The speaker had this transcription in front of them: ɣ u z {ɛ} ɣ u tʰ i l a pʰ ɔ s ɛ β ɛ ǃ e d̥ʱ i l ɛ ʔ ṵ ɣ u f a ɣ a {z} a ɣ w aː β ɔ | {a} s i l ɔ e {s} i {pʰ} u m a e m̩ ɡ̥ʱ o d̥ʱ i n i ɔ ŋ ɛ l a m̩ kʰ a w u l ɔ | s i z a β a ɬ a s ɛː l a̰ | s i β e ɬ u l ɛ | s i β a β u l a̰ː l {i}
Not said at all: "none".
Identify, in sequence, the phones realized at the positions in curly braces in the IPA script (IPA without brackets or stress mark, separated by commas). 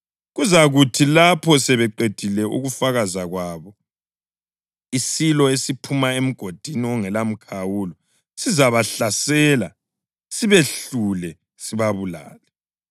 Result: a, z, i, s, pʰ, ɛ